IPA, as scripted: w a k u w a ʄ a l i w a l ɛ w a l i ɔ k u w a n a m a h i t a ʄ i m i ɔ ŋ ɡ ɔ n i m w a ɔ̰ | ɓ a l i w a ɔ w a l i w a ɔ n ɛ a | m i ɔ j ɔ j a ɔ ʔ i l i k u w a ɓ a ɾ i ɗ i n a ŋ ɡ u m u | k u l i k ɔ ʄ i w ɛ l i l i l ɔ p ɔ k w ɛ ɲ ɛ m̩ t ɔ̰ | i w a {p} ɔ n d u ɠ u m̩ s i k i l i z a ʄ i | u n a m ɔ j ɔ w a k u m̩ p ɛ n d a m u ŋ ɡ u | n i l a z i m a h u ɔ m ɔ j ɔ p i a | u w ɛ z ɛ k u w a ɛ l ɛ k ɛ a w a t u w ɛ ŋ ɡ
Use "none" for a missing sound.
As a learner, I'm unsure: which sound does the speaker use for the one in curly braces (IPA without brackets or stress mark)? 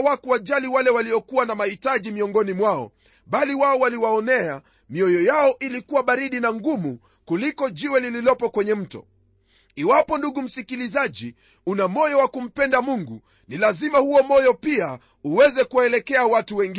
p